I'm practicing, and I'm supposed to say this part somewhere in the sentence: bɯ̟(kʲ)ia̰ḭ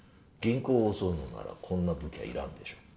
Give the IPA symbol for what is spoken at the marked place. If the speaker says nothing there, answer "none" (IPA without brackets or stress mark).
kʲ